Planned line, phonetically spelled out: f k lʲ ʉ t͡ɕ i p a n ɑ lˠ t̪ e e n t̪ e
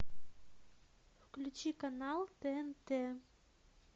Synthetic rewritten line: f k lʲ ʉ t͡ɕ i k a n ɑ lˠ t̪ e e n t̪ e